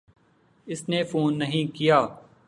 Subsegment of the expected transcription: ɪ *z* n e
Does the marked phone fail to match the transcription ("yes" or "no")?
yes